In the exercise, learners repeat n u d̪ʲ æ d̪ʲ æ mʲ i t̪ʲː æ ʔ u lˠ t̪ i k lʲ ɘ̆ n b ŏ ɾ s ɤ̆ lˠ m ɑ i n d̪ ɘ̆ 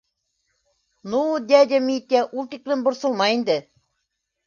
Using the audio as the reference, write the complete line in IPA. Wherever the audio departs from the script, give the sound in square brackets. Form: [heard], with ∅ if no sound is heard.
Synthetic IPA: n u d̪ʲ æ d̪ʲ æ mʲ i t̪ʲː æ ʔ u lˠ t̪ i k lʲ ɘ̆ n b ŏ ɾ s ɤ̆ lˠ m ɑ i n d̪ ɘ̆